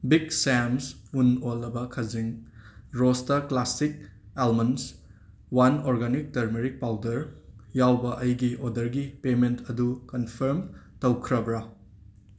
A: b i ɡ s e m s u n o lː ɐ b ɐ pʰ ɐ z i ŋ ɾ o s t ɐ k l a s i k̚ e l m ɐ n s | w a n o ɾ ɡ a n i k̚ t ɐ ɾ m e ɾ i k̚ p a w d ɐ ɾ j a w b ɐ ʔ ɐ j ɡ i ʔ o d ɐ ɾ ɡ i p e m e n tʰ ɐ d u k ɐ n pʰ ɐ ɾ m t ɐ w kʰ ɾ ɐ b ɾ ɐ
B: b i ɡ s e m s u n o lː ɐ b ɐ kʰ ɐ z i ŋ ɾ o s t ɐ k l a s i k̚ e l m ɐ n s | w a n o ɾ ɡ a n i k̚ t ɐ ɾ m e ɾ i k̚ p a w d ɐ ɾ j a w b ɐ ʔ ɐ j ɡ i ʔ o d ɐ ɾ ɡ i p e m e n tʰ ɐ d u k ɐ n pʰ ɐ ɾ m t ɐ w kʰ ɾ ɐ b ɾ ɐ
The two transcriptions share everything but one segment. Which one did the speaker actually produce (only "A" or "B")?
B